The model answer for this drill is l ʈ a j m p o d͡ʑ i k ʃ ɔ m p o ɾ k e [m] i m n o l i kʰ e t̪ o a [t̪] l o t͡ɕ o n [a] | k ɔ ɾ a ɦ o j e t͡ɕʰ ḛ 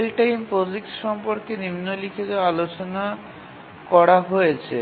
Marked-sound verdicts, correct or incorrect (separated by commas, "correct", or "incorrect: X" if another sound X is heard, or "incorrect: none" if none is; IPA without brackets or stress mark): incorrect: n, incorrect: none, correct